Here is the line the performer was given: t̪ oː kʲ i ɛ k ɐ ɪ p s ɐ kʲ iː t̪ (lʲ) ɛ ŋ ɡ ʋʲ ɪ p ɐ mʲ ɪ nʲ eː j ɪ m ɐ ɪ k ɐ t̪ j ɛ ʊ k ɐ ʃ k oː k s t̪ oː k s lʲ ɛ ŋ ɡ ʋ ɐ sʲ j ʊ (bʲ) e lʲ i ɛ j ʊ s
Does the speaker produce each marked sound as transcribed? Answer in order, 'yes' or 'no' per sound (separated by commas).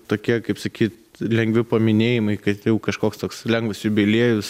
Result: yes, yes